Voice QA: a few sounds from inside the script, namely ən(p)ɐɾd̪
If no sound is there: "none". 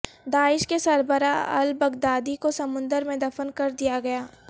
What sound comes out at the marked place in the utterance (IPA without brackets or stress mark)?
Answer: k